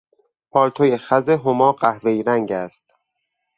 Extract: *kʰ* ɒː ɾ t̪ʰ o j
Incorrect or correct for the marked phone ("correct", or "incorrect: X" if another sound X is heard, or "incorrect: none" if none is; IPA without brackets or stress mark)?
incorrect: pʰ